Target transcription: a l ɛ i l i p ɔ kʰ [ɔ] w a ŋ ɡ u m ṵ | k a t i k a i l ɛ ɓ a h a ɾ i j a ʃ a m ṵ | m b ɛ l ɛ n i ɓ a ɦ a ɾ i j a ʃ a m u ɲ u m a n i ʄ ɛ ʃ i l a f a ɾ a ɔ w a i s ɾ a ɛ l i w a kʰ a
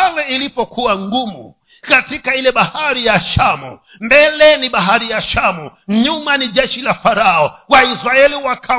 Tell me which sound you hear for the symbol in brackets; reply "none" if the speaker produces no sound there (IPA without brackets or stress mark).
u